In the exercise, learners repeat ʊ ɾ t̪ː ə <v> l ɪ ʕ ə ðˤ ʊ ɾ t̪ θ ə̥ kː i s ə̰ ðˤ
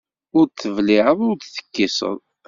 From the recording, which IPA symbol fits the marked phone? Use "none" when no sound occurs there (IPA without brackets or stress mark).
v